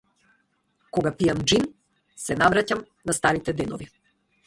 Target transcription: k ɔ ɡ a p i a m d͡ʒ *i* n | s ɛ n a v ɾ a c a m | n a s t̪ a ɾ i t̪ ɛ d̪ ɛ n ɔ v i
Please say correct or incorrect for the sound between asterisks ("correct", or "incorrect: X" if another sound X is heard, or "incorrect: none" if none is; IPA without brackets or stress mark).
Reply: correct